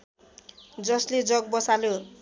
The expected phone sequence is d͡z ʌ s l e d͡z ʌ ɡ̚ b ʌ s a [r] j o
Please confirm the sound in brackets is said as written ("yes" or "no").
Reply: no